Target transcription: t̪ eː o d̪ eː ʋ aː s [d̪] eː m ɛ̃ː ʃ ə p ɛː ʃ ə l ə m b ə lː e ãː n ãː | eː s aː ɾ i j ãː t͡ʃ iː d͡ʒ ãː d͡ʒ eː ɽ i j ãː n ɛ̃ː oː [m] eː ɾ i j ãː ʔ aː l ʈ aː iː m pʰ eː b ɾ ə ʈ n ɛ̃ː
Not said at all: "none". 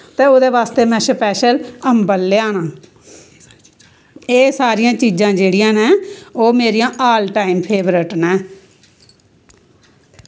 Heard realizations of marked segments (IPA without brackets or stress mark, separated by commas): t̪, m